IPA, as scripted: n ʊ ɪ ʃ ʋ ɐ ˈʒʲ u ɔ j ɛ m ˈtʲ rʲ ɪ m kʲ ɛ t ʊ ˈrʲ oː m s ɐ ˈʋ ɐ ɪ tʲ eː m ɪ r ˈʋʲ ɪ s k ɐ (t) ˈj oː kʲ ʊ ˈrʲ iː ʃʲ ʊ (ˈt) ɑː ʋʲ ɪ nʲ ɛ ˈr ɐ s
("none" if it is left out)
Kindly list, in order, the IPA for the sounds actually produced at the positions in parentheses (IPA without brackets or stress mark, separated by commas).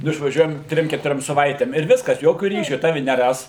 s, t